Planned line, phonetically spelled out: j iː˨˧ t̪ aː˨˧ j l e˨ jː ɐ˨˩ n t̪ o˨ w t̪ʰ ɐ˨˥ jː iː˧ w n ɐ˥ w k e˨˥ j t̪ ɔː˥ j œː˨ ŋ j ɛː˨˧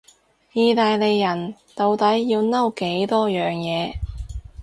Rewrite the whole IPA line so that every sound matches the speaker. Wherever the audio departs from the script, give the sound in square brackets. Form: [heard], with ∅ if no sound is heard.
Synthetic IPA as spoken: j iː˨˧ t̪ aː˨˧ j l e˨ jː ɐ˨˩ n t̪ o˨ w [t̪] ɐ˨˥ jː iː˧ w n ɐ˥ w k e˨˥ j t̪ ɔː˥ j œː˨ ŋ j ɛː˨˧

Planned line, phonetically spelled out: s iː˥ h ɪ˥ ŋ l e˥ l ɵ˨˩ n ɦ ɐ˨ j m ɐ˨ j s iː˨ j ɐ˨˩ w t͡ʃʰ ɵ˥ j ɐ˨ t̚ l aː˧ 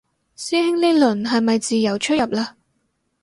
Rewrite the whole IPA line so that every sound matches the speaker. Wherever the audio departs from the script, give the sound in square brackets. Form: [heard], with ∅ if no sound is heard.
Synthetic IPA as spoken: s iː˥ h ɪ˥ ŋ l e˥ l ɵ˨˩ n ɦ ɐ˨ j m ɐ˨ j [t͡s] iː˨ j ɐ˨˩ w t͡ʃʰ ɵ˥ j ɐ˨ [p̚] l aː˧

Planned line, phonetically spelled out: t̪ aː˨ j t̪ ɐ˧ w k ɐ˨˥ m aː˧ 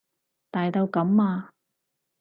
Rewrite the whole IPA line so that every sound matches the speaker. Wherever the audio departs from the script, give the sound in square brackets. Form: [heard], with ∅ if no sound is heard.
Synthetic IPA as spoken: t̪ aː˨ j t̪ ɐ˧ w k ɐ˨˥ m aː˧

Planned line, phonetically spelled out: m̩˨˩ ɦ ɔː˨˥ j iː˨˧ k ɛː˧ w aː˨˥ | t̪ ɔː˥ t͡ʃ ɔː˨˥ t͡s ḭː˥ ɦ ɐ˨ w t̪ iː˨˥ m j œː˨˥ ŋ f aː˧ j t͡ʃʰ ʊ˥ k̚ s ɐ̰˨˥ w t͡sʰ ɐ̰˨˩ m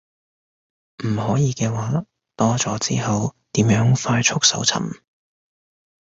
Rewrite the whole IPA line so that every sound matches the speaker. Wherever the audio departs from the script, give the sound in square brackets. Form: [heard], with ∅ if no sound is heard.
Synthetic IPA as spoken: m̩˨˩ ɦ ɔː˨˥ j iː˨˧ k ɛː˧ w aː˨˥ | t̪ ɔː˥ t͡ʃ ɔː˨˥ t͡s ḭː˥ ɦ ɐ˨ w t̪ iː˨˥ m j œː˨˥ ŋ f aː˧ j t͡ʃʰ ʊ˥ k̚ s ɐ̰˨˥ w t͡sʰ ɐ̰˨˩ m

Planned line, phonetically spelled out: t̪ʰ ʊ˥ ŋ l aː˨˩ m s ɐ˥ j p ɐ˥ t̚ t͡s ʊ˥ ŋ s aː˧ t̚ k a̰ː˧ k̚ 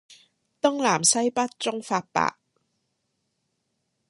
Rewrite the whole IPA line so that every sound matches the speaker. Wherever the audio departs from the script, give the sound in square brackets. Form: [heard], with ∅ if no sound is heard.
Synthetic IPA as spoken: [t̪] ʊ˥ ŋ l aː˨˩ m s ɐ˥ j p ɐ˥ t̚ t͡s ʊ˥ ŋ [f] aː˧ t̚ [p] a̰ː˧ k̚

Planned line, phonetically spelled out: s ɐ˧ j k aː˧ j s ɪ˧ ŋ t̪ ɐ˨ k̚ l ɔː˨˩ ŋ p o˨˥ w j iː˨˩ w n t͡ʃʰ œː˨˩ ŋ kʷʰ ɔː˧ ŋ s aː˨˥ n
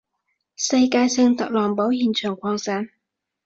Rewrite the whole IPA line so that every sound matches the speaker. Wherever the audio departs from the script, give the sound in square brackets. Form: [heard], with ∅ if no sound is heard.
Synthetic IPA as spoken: s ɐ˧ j k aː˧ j s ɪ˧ ŋ t̪ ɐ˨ k̚ l ɔː˨˩ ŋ p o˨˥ w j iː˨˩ [∅] n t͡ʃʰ œː˨˩ ŋ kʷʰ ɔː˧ ŋ s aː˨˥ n

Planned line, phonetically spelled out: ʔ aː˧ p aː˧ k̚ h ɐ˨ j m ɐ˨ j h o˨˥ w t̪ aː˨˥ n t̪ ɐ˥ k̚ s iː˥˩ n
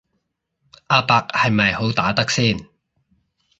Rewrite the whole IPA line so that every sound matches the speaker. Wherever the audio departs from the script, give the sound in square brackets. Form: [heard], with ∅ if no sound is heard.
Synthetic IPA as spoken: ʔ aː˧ p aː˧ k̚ h ɐ˨ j m ɐ˨ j h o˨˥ w t̪ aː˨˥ [∅] t̪ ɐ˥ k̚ s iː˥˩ n

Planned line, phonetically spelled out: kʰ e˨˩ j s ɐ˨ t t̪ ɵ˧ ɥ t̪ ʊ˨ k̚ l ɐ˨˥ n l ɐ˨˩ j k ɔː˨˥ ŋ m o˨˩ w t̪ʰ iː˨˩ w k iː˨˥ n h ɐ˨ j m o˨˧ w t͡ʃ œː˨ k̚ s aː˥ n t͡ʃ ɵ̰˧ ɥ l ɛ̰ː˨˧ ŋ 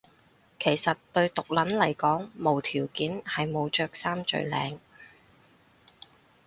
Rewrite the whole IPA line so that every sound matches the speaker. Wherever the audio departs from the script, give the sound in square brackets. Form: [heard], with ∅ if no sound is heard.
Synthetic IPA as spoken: kʰ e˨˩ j s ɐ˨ t t̪ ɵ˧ ɥ t̪ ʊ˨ k̚ l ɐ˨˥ n l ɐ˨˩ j k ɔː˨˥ ŋ m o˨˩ w t̪ʰ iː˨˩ w k iː˨˥ n h ɐ˨ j m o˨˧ w t͡ʃ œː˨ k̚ s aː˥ [m] t͡ʃ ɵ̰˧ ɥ l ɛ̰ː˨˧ ŋ

